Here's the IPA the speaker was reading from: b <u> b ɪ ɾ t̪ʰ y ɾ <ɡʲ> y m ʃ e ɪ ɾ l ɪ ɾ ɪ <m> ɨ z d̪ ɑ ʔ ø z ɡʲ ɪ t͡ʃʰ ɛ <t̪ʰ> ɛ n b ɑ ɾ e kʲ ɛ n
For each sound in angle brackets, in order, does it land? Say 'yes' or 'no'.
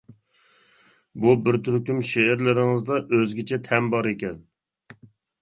yes, no, no, yes

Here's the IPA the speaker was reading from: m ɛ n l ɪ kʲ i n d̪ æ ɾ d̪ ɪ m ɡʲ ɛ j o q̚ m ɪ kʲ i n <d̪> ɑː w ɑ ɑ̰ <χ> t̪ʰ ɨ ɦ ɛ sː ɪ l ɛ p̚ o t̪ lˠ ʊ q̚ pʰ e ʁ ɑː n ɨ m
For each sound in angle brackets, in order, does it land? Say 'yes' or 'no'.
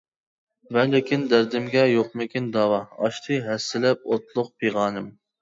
yes, no

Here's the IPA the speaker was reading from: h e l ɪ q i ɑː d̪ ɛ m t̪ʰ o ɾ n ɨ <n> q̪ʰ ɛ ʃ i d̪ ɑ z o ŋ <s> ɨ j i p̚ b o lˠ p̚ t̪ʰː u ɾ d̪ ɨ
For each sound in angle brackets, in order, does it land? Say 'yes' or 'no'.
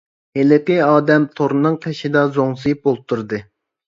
no, yes

